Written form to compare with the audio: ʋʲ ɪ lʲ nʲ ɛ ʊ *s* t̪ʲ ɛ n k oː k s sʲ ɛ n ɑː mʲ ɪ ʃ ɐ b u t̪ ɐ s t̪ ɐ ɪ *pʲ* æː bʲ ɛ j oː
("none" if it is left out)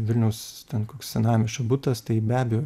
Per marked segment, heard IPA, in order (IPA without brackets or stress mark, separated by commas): s, bʲ